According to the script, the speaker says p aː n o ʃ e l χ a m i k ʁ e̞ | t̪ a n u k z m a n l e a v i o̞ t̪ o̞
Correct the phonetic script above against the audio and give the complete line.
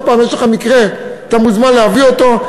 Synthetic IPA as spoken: p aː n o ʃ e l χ a m i k ʁ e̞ | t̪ a m u z m a n l e a v i o̞ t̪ o̞